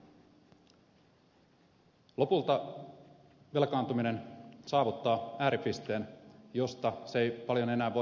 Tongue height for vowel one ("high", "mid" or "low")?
mid